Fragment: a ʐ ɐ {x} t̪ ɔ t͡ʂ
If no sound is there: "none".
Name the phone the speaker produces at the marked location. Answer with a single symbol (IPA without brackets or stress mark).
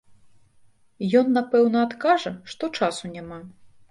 ʂ